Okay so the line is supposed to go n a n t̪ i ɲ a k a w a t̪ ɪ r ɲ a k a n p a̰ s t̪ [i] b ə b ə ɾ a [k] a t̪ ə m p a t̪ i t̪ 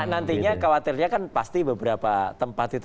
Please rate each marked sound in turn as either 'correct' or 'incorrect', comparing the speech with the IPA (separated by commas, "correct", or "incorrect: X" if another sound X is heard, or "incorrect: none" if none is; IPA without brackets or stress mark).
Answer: correct, incorrect: p